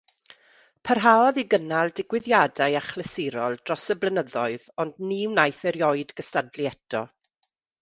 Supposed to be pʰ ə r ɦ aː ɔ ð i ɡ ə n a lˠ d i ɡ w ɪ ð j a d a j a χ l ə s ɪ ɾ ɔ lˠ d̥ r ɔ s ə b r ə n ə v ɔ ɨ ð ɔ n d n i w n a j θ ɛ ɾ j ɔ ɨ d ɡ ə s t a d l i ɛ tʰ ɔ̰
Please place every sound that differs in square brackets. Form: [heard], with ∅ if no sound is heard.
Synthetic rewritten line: pʰ ə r ɦ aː ɔ ð i ɡ ə n a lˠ d [ɪ] ɡ w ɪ ð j a d a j a χ l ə s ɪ ɾ ɔ lˠ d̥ r ɔ s ə b [l] ə n ə [ð] ɔ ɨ ð ɔ n d n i w n a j θ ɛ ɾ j ɔ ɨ d ɡ ə s t a d l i ɛ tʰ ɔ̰